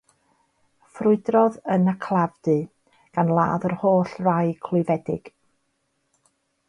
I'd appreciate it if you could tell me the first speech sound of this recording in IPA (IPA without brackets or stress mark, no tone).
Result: f